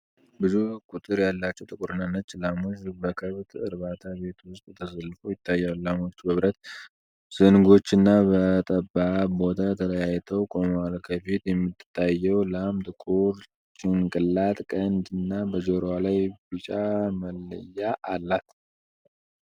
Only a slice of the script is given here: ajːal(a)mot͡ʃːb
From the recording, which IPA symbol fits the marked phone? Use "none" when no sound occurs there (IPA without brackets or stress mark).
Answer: a